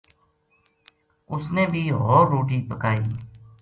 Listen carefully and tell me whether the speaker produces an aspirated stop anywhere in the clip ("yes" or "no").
no